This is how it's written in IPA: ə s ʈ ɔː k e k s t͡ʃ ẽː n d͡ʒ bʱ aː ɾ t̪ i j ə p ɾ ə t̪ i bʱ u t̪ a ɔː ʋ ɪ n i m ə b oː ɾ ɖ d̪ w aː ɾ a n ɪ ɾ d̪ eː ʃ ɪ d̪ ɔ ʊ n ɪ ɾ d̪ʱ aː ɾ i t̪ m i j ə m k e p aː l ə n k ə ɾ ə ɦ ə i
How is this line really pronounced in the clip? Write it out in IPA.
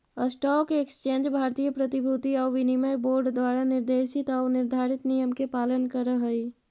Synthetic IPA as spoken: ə s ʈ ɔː k e k s t͡ʃ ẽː n d͡ʒ bʱ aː ɾ t̪ i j ə p ɾ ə t̪ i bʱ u t̪ i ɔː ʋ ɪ n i m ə b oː ɾ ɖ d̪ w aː ɾ a n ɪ ɾ d̪ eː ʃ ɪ t̪ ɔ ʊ n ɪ ɾ d̪ʱ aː ɾ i t̪ n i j ə m k e p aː l ə n k ə ɾ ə ɦ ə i

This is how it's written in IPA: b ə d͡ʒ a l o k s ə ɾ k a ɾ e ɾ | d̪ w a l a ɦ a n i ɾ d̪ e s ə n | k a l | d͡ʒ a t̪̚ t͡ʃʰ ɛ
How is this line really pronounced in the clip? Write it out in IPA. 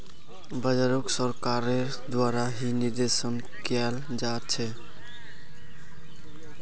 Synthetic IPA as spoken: b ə d͡ʒ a ɾ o k s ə ɾ k a ɾ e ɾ | d̪ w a ɾ a ɦ i n i ɾ d̪ e s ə n | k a l | d͡ʒ a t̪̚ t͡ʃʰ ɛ

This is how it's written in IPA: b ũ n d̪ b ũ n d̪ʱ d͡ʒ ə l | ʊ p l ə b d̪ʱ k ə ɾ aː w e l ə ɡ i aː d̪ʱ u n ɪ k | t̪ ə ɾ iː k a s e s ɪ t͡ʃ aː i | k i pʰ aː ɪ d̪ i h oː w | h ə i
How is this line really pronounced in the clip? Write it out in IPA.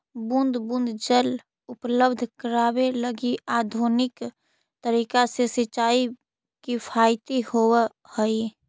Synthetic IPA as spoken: b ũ n d̪ b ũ n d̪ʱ d͡ʒ ə l | ʊ p l ə b d̪ʱ k ə ɾ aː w e l ə ɡ i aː d̪ʱ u n ɪ k | t̪ ə ɾ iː k a s e s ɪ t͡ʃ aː i | k i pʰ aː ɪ t̪ i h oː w | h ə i

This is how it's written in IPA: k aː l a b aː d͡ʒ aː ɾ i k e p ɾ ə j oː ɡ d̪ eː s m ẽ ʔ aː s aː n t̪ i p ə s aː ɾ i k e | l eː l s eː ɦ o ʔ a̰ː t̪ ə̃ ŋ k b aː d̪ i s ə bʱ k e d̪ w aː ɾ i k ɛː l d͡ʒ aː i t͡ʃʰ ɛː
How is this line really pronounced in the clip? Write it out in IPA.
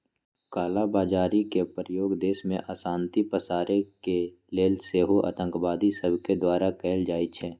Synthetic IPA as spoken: k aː l a b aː d͡ʒ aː ɾ i k e p ɾ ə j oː ɡ d̪ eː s m ẽ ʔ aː s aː n t̪ i p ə s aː ɾ e k e | l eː l s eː ɦ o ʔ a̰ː t̪ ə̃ ŋ k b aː d̪ i s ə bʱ k e d̪ w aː ɾ a k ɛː l d͡ʒ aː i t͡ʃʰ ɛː

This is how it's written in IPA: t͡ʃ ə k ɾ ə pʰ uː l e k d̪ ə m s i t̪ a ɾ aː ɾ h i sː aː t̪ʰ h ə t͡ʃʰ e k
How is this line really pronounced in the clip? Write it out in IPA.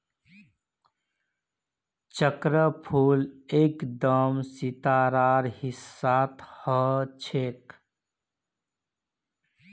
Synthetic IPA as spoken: t͡ʃ ə k ɾ ə pʰ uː l e k d̪ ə m s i t̪ a ɾ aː ɾ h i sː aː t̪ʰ h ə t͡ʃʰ e k

